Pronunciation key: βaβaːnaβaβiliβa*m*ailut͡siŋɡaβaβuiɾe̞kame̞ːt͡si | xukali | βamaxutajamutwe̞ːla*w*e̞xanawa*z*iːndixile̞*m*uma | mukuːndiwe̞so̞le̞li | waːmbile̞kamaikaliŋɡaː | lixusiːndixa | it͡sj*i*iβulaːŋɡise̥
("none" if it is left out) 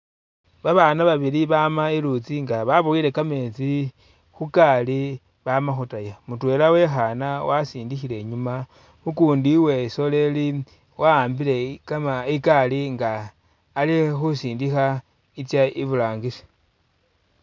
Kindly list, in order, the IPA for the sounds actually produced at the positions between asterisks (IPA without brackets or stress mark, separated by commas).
m, w, s, ɲ, a